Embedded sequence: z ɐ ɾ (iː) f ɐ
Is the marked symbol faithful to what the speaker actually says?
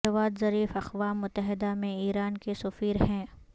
yes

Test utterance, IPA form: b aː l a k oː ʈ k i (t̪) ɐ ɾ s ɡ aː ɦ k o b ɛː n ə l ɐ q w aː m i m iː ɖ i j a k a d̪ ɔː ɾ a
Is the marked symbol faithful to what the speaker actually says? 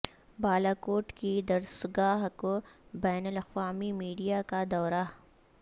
no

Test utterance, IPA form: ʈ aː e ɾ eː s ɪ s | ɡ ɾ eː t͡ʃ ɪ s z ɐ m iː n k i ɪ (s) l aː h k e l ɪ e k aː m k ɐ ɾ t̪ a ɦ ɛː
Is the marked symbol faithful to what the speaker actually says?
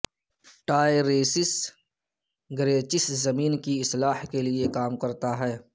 yes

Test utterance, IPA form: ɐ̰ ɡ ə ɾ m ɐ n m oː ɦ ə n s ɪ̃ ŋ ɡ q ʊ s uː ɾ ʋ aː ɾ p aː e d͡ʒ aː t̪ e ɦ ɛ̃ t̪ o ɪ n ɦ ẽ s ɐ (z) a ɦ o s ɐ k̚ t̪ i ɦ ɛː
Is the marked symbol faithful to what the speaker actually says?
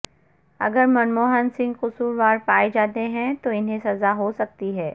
yes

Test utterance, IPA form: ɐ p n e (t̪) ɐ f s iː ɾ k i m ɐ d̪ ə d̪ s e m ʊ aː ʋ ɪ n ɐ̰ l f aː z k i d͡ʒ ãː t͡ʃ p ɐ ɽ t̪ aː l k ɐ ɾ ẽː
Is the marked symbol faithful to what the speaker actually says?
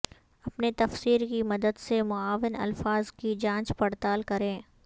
yes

